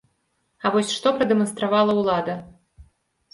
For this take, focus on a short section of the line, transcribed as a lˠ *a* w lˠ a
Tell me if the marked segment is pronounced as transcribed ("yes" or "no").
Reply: no